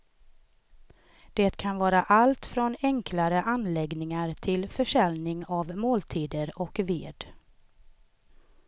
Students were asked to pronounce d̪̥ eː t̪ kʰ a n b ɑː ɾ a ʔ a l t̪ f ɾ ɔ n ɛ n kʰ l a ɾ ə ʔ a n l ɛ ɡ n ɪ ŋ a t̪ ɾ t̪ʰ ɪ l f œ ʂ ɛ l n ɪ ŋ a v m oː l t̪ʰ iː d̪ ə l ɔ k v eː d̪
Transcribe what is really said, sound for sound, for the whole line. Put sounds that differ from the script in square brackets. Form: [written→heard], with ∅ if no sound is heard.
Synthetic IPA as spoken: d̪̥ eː t̪ kʰ a n [b→v] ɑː ɾ a ʔ a l t̪ f ɾ ɔ n ɛ [n→ŋ] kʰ l a ɾ ə ʔ a n l ɛ ɡ n ɪ ŋ a [t̪→∅] ɾ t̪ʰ ɪ l f œ ʂ ɛ l n ɪ ŋ a v m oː l t̪ʰ iː d̪ ə [l→ɾ] ɔ k v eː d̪